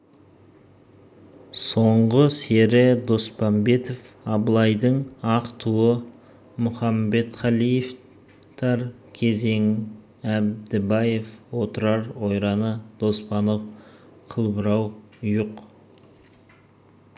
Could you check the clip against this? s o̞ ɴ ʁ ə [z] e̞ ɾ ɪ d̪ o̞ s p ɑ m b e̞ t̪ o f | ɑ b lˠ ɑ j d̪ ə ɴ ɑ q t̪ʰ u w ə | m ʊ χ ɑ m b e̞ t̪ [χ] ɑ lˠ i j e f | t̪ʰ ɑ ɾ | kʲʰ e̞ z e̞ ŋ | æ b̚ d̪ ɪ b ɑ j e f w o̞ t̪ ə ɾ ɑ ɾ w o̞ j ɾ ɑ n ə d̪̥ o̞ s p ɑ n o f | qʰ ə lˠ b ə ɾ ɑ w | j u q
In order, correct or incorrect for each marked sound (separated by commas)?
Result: incorrect, correct